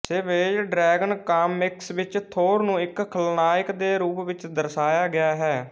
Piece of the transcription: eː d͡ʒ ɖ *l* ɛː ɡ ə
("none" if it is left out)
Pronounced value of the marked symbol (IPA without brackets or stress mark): ɾ